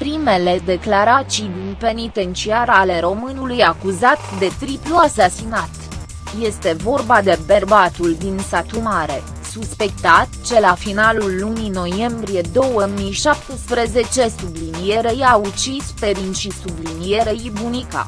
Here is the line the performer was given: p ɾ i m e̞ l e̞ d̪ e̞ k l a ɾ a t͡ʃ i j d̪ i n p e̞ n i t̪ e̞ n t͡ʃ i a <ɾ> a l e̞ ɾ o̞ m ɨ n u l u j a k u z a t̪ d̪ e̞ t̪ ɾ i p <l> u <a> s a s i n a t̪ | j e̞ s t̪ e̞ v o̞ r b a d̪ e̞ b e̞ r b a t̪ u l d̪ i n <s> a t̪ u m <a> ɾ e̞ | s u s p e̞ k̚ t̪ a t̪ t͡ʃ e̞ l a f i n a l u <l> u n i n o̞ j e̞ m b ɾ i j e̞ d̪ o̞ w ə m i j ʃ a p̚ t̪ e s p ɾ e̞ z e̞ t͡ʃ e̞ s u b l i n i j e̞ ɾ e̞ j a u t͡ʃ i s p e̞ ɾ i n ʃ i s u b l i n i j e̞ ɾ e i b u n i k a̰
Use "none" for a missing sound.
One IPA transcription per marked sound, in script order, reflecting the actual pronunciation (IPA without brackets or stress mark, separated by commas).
ɾ, l, a, s, a, lː